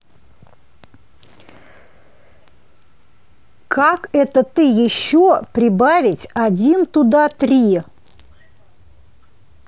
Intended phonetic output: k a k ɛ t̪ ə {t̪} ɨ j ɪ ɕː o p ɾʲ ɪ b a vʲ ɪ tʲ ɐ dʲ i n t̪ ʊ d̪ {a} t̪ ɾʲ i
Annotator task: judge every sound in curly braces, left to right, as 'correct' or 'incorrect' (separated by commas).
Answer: correct, correct